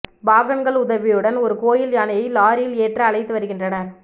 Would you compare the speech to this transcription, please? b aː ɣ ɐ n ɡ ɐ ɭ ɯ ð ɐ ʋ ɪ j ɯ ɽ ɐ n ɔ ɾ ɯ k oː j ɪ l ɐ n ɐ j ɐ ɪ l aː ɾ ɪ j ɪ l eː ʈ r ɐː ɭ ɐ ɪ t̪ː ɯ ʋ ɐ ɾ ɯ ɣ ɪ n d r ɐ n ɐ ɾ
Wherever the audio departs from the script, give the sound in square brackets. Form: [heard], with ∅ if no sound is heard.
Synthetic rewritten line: b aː ɣ ɐ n ɡ ɐ ɭ [ʊ] ð ɐ ʋ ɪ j ɯ ɽ ɐ n ɔ ɾ ɯ k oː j ɪ l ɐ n ɐ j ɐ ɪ l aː ɾ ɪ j ɪ l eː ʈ r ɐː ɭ ɐ ɪ t̪ː ɯ ʋ ɐ ɾ ɯ ɣ ɪ n d r ɐ n ɐ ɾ